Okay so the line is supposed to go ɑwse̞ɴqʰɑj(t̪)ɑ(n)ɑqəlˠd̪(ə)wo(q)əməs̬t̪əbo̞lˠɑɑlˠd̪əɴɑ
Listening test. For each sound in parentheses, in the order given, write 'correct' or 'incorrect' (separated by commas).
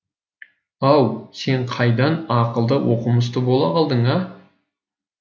incorrect, correct, correct, correct